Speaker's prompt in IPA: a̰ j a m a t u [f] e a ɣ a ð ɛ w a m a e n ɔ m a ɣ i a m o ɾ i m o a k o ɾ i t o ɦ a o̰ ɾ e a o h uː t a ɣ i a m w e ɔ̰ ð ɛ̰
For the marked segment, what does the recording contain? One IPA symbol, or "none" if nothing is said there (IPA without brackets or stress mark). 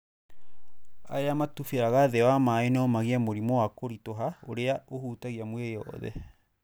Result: f